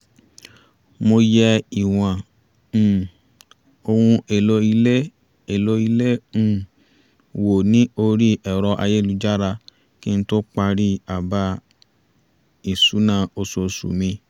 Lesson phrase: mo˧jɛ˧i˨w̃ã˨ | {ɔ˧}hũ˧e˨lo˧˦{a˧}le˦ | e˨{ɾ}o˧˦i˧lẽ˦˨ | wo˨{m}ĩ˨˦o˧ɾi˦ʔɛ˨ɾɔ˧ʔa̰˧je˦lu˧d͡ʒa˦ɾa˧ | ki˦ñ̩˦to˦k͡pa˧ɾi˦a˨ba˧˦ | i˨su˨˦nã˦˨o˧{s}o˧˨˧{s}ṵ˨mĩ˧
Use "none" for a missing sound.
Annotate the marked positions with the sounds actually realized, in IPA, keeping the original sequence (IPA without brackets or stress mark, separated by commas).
o˧, i˧, l, n, s, s